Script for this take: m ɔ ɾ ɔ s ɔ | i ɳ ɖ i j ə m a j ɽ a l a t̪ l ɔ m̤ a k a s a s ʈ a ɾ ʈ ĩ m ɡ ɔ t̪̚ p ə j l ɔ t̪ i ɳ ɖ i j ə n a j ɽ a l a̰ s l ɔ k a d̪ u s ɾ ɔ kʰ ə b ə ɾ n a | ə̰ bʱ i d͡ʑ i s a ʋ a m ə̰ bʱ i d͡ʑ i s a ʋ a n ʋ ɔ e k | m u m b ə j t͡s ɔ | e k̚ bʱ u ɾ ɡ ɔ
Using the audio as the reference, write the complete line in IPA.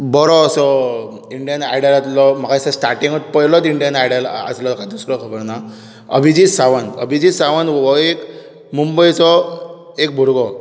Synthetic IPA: b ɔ ɾ ɔ s ɔ | i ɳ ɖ i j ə n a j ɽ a l a t̪ l ɔ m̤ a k a s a s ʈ a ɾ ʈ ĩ ŋ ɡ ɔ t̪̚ p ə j l ɔ t̪ i ɳ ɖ i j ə n a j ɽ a l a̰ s l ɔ k a d̪ u s ɾ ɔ kʰ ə b ə ɾ n a | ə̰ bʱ i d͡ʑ i s a ʋ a n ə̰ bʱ i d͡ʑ i s a ʋ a n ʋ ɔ e k | m u m b ə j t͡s ɔ | e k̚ bʱ u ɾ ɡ ɔ